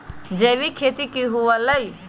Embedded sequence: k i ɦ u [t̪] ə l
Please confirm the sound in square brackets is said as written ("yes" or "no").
no